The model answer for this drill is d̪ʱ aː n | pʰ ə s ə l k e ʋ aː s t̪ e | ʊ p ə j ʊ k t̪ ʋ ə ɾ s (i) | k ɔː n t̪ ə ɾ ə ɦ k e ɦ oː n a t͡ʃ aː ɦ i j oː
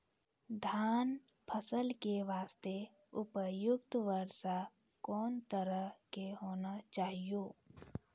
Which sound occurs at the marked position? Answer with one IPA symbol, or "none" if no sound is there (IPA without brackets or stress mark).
a